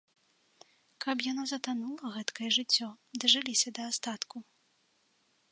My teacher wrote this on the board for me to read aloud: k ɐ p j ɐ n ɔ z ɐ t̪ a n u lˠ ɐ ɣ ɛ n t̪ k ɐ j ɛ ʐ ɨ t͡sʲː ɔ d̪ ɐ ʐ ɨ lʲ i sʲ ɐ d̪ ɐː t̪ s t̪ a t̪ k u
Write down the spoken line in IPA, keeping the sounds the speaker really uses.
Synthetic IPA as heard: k ɐ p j a n ɔ z ɐ t̪ a n u lˠ ɐ ɣ ɛ t̪ k ɐ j ɛ ʐ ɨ t͡sʲː ɔ d̪ ɐ ʐ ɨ lʲ i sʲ ɐ d̪ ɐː s t̪ a t̪ k u